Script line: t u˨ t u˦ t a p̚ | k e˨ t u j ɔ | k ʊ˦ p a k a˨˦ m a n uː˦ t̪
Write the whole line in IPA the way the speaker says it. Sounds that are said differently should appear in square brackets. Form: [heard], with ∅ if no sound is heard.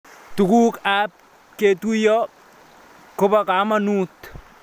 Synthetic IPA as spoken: t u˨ [k] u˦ [k] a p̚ | k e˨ t u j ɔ | k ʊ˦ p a k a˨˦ m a n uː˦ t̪